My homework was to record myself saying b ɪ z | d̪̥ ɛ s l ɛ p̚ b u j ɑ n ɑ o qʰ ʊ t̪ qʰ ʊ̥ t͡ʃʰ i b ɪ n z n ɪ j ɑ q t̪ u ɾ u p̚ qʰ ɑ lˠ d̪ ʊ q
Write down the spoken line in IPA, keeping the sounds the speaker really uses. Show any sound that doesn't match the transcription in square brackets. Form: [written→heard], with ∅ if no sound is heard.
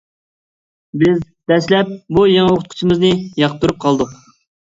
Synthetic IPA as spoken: b ɪ z | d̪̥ ɛ s l ɛ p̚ b u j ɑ [n→ŋ] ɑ o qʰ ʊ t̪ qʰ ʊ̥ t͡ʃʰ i [b→m] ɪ [n→∅] z n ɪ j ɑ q t̪ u ɾ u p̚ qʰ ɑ lˠ d̪ ʊ q

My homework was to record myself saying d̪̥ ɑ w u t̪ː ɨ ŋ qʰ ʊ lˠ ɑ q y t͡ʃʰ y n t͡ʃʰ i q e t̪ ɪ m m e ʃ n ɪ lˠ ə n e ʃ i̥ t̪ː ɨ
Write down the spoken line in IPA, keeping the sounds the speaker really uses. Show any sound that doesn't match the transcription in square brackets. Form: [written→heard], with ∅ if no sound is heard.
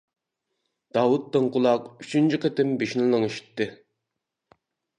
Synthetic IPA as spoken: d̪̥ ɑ w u t̪ː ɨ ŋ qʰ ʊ lˠ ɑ q y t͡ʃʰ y n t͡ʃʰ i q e t̪ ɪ m [m→b] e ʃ n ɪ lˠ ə [n→ŋ] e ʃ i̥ t̪ː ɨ

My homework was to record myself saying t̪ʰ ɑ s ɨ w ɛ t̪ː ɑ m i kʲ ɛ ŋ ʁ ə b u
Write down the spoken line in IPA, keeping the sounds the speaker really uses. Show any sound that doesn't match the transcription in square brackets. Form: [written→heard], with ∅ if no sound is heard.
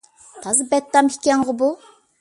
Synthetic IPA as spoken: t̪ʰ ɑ [s→z] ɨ [w→b] ɛ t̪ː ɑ m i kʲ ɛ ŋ ʁ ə b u

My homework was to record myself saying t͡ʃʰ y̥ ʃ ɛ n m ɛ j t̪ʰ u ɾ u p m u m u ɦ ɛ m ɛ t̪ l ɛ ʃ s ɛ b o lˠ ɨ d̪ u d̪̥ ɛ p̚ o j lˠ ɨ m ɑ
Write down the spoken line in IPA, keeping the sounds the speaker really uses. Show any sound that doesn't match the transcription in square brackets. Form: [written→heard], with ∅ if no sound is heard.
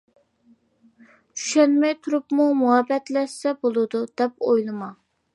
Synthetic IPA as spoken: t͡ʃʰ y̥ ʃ ɛ n m ɛ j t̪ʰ u ɾ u p m u m u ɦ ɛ [m→b] ɛ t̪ l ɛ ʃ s ɛ b o lˠ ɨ d̪ u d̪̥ ɛ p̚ o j lˠ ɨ m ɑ

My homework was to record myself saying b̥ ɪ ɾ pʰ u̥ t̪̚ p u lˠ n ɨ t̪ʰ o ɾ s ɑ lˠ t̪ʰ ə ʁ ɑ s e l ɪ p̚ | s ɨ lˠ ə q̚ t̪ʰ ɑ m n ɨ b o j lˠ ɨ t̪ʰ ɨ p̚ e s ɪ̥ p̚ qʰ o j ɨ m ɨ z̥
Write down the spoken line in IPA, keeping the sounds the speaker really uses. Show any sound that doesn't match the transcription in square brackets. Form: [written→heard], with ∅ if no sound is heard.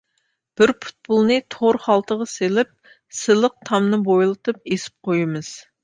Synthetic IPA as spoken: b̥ ɪ ɾ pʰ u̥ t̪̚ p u lˠ n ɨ t̪ʰ o ɾ [s→χ] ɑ lˠ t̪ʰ ə ʁ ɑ s e l ɪ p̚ | s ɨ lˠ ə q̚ t̪ʰ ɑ m n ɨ b o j lˠ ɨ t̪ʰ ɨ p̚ e s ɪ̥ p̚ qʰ o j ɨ m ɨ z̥

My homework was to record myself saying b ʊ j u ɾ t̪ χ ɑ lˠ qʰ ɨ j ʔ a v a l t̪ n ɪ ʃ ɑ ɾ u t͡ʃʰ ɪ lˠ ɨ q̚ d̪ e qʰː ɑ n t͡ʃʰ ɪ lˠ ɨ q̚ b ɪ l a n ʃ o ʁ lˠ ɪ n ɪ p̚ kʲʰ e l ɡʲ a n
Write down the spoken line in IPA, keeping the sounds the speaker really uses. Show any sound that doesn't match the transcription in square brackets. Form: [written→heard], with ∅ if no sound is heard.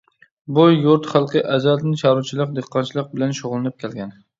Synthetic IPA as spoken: b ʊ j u ɾ t̪ χ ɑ lˠ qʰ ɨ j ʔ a [v→z] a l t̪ n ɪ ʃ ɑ ɾ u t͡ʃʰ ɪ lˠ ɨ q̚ d̪ e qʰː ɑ n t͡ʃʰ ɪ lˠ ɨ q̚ b ɪ l a n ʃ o ʁ lˠ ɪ n ɪ p̚ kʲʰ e l ɡʲ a n

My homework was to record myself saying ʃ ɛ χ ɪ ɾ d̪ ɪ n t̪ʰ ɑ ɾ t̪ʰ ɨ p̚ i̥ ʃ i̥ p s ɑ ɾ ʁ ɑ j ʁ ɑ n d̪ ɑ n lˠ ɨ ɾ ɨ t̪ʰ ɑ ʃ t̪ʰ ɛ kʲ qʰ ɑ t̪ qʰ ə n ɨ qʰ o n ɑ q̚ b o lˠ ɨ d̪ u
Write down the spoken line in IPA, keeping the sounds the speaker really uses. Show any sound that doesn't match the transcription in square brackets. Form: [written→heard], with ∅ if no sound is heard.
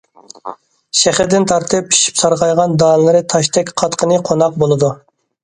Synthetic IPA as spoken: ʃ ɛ χ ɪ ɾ d̪ ɪ n t̪ʰ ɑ ɾ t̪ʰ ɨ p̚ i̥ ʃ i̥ p s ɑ ɾ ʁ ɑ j ʁ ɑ n d̪ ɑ n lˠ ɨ ɾ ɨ t̪ʰ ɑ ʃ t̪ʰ ɛ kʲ qʰ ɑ t̪ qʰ ə n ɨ qʰ o n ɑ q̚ b o lˠ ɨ d̪ u

